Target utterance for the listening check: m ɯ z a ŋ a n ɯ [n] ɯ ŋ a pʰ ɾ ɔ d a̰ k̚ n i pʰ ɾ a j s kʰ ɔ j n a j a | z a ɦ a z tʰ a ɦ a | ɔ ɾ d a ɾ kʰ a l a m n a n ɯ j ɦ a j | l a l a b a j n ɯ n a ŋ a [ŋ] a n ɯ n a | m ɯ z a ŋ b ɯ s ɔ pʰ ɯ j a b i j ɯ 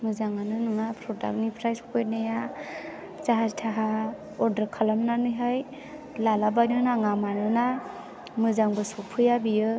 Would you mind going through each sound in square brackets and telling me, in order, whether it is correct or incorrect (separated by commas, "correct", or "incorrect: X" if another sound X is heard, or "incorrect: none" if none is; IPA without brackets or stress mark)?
correct, incorrect: m